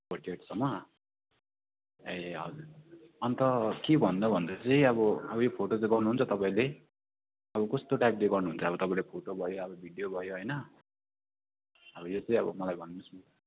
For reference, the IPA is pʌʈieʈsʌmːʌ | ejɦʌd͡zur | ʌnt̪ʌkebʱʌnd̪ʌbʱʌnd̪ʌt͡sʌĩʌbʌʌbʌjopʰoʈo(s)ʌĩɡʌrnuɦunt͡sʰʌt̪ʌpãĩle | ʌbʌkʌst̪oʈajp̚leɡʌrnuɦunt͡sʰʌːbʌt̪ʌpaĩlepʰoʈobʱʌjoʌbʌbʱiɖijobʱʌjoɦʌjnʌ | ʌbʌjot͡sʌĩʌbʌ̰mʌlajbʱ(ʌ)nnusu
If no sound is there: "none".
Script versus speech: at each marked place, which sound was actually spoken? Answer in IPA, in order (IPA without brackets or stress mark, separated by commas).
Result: t͡s, ʌ